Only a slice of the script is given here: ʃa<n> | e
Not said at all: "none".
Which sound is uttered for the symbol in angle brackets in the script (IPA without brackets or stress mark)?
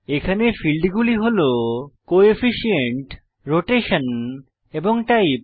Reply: n